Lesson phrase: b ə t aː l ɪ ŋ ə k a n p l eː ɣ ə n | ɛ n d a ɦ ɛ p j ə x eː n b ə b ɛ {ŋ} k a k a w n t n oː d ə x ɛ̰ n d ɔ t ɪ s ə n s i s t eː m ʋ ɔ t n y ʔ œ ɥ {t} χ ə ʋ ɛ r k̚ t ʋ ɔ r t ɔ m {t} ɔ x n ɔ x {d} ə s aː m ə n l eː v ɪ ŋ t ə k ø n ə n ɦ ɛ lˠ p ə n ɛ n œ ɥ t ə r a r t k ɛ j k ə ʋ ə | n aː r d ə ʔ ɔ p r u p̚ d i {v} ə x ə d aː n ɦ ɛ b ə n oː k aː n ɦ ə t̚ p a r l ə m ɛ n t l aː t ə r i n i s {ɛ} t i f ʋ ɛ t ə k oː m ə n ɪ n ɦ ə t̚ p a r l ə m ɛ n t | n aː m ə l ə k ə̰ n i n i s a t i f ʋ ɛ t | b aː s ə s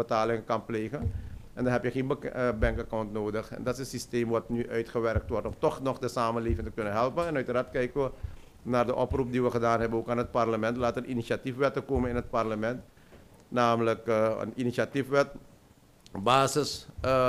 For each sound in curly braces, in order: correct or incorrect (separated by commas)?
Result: correct, correct, correct, correct, incorrect, incorrect